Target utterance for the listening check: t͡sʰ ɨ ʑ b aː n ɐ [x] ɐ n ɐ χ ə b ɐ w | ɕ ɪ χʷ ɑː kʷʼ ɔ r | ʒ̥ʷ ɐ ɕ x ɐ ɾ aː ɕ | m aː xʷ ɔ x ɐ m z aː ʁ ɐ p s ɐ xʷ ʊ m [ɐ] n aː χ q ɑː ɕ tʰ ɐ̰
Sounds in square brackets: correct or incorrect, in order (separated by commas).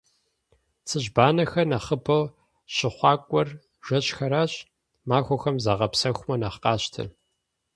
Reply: correct, correct